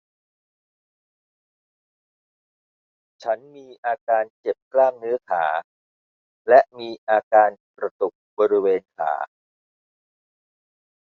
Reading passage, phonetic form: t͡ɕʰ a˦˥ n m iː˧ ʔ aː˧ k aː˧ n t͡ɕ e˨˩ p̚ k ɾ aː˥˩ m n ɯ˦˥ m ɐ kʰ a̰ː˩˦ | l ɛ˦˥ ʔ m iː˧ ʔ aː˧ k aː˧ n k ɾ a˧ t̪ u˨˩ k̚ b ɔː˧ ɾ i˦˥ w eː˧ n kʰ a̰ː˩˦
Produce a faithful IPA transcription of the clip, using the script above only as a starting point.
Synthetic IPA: t͡ɕʰ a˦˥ n m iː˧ ʔ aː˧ k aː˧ n t͡ɕ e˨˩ p̚ k l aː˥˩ m n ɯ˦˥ ɐ kʰ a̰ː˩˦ | l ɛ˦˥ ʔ m iː˧ ʔ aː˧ k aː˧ n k ɾ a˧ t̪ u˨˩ k̚ b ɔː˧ ɾ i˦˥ w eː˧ n kʰ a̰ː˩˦

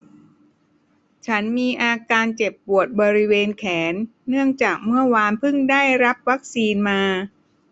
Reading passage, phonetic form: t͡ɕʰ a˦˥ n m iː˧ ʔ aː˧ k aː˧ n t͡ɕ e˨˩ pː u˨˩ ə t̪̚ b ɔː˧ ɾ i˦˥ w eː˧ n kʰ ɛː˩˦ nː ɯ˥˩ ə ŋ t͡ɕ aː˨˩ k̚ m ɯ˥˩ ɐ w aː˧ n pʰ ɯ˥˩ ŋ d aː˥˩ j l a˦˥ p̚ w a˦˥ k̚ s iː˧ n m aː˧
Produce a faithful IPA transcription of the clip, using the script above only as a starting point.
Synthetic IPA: t͡ɕʰ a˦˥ n m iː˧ ʔ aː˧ k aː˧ n t͡ɕ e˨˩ pː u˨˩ ə t̪̚ b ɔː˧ ɾ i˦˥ w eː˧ n kʰ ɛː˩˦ nː ɯ˥˩ ə ŋ t͡ɕ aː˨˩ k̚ m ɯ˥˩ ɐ w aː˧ n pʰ ɯ˥˩ ŋ d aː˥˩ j ɾ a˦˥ p̚ w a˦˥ k̚ s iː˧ n m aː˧

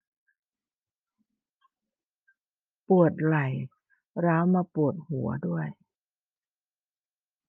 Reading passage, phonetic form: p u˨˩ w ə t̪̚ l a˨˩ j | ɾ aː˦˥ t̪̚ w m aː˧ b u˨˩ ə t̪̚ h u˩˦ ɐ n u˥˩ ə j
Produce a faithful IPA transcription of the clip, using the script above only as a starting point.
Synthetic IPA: p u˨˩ ə t̪̚ l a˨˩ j | ɾ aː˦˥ w m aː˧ p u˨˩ ə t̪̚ h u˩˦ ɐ d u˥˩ ə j

